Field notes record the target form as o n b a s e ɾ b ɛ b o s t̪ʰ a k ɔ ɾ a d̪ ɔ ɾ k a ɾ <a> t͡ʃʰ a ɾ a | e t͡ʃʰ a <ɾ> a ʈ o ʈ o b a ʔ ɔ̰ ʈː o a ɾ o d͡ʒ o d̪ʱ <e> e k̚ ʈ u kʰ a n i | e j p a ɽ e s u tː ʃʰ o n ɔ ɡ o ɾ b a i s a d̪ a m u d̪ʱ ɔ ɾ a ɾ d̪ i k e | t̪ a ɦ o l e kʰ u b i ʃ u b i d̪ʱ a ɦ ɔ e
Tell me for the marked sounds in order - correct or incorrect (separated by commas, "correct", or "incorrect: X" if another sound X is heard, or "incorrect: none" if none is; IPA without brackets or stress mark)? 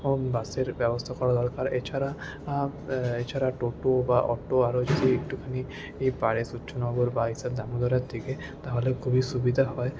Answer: incorrect: e, correct, incorrect: i